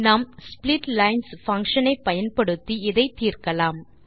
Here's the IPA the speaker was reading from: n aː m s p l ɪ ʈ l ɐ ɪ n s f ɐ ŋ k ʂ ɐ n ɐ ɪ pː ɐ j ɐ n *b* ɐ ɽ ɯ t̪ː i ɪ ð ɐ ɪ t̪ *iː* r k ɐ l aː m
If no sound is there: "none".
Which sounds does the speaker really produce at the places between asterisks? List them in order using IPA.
p, iː

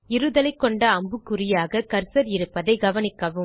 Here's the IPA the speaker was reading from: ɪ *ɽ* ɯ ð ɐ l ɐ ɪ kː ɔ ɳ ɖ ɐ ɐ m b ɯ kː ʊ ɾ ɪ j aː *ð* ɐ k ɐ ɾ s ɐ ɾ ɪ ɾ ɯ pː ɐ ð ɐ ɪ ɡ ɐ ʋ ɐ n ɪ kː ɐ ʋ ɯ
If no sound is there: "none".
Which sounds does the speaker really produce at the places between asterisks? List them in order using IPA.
ɾ, ɣ

